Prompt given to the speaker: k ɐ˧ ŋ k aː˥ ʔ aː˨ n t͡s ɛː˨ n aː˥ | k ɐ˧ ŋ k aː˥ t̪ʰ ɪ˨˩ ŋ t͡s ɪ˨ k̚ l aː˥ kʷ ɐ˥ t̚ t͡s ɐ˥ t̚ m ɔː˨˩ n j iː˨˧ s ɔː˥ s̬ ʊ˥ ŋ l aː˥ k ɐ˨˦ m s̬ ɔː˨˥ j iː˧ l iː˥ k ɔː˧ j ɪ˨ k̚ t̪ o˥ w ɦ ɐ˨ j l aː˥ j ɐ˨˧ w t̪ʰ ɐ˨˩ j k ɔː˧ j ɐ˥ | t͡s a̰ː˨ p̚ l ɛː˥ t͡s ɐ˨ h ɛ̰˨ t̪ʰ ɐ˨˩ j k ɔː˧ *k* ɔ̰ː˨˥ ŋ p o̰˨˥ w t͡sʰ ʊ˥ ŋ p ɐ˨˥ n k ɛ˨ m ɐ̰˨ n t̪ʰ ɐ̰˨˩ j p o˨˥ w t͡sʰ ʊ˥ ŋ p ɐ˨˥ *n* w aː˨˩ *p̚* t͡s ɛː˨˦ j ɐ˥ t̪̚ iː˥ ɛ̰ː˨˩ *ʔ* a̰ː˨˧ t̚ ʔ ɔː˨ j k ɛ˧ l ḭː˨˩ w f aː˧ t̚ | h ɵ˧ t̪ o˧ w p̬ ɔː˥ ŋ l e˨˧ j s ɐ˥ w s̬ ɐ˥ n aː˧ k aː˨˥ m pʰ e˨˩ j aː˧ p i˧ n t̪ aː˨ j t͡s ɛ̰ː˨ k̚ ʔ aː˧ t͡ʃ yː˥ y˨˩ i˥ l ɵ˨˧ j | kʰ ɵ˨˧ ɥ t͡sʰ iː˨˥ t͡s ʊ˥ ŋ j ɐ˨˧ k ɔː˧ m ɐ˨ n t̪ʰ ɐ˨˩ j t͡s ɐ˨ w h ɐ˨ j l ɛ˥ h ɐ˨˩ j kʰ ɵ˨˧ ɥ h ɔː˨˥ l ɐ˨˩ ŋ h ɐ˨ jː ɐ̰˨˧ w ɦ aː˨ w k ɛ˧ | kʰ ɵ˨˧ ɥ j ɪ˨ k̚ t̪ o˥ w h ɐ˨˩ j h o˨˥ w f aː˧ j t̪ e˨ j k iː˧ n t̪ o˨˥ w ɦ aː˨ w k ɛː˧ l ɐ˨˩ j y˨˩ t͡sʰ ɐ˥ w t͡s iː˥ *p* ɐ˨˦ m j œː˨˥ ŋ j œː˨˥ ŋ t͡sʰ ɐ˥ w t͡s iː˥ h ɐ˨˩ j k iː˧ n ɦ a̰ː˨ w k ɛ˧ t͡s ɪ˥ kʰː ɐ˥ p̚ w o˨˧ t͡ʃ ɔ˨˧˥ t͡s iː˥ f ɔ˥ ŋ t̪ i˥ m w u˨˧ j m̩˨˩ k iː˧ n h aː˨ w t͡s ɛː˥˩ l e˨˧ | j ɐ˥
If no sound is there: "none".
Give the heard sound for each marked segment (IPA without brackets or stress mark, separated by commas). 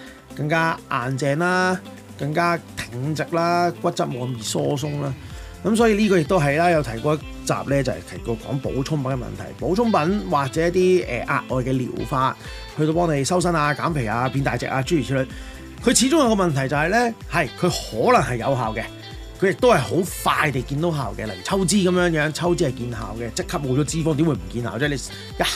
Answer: k, n, k̚, ʔ, k